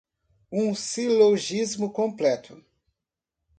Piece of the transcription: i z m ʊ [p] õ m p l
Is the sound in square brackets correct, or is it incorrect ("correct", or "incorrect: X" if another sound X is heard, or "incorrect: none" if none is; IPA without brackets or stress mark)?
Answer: incorrect: k